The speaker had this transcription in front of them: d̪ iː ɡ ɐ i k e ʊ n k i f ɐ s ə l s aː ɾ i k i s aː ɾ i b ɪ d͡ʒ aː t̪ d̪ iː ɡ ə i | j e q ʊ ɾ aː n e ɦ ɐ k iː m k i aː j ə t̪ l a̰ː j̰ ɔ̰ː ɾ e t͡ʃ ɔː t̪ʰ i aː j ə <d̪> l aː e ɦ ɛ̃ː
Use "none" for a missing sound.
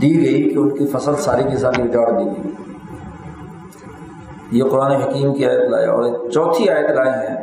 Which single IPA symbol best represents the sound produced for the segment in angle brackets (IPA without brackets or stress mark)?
t̪